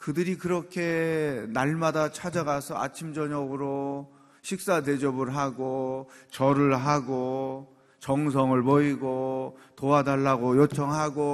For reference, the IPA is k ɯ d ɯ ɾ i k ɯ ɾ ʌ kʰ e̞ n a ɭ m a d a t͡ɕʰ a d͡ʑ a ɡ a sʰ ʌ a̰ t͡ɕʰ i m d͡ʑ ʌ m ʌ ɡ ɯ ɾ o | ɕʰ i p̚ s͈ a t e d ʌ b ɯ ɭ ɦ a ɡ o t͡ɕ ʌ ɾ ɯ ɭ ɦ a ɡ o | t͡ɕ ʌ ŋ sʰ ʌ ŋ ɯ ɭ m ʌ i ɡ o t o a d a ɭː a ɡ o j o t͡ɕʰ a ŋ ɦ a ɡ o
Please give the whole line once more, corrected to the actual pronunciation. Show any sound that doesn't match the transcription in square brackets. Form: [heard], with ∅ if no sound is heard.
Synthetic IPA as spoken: k ɯ d ɯ ɾ i k ɯ ɾ ʌ kʰ e̞ n a ɭ m a d a t͡ɕʰ a d͡ʑ a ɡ a sʰ ʌ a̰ t͡ɕʰ i m d͡ʑ ʌ [ɲ] ʌ ɡ ɯ ɾ o | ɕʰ i [k̚] s͈ a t e [d͡ʑ] ʌ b ɯ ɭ ɦ a ɡ o t͡ɕ ʌ ɾ ɯ ɭ ɦ a ɡ o | t͡ɕ ʌ ŋ sʰ ʌ ŋ ɯ ɭ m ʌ i ɡ o t o a d a ɭː a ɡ o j o t͡ɕʰ [ʌ] ŋ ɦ a ɡ o